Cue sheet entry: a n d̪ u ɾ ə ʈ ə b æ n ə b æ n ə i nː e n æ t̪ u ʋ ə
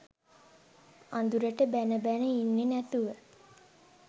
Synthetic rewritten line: a n d̪ u ɾ ə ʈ ə b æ n ə b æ n ə i nː e n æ t̪ u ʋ ə

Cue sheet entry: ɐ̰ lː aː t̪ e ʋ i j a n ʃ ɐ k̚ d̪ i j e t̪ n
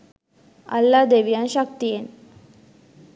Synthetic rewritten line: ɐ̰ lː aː d̪ e ʋ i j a n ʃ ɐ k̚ t̪ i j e n

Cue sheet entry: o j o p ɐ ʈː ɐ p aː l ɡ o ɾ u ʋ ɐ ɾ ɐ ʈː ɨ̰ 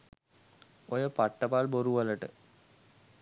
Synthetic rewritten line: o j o p ɐ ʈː ɐ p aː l b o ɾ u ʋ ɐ l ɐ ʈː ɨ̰

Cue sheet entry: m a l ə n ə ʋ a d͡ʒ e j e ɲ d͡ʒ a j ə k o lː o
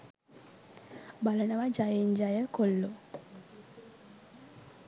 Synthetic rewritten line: b a l ə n ə ʋ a d͡ʒ a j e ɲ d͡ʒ a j ə k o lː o

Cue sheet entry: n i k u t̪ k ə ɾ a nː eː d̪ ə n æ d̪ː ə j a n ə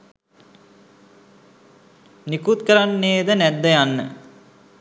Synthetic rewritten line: n i k u t̪ k ə ɾ a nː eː d̪ ə n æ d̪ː ə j a nː ə

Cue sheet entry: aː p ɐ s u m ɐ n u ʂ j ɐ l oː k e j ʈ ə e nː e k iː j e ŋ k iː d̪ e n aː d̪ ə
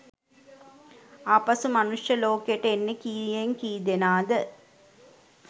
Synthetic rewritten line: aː p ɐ s u m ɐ n u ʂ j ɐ l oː k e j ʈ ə e nː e k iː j e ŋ k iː d̪ e n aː d̪ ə

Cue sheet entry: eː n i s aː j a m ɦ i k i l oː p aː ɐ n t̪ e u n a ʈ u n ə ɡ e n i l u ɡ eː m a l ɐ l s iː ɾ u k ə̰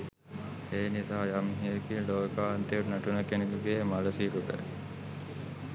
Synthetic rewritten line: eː n i s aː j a m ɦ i k i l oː k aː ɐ n t̪ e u n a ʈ u n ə k e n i l u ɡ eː m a l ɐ s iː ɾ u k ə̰

